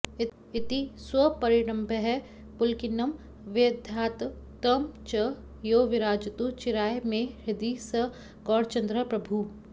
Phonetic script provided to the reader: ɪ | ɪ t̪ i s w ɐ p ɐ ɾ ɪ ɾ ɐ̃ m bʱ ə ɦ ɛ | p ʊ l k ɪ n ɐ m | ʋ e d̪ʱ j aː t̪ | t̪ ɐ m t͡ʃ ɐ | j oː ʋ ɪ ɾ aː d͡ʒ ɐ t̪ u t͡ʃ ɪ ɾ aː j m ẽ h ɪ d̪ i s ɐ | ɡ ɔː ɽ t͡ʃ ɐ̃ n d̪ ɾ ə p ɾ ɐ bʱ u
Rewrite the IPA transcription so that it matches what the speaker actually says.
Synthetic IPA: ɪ | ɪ t̪ i s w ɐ p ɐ ɾ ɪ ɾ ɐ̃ m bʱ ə ɦ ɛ | p ʊ l k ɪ n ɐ m | ʋ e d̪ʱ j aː t̪ | t̪ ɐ m t͡ʃ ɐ | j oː ʋ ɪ ɾ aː d͡ʒ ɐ t̪ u t͡ʃ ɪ ɾ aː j m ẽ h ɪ d̪ i s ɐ | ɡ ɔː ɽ t͡ʃ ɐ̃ n d̪ ɾ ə p ɾ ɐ bʱ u